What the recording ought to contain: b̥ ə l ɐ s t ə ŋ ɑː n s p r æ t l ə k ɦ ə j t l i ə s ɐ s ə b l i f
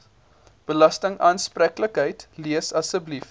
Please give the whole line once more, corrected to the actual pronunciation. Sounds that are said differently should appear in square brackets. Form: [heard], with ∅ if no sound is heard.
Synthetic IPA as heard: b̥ ə l ɐ s t ə ŋ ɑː n s p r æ [k] l ə k ɦ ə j t l i ə s ɐ s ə b l i f